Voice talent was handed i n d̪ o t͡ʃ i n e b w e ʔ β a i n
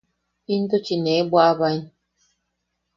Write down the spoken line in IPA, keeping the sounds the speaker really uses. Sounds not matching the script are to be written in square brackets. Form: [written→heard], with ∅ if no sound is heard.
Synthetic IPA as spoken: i n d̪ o t͡ʃ i n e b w [e→a] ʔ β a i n